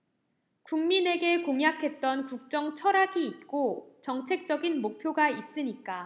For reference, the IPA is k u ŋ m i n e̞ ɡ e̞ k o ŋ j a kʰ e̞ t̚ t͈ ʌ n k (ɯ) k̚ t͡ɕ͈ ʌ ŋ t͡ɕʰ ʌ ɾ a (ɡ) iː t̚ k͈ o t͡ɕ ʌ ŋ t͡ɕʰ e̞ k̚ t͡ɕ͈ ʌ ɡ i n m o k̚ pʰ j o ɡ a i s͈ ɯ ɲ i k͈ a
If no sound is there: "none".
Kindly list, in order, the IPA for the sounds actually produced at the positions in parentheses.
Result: u, ɡ

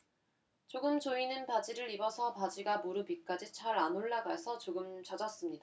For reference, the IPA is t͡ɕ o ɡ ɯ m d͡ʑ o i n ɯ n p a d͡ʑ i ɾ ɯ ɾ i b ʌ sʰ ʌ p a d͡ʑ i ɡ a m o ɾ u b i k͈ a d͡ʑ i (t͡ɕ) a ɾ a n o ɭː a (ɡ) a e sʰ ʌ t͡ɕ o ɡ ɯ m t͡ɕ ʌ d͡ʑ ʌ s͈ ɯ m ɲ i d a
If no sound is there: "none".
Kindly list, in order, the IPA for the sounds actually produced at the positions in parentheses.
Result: t͡ɕʰ, ɡ

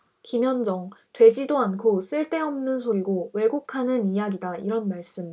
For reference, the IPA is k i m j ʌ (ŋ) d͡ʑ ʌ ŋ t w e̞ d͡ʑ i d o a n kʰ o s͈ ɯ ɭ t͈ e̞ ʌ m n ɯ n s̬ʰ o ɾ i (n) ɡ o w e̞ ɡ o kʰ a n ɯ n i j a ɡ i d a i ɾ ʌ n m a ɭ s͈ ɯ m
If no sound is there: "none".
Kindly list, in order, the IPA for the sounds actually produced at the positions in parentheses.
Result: n, none

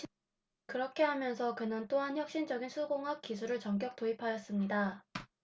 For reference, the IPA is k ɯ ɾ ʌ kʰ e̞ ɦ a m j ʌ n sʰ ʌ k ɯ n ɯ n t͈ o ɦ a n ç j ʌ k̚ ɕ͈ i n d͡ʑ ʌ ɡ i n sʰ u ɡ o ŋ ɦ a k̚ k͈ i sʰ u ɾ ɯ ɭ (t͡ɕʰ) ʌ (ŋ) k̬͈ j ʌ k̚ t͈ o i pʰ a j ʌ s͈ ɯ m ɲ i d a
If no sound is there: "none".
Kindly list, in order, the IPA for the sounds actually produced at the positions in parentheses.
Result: t͡ɕ, ŋ

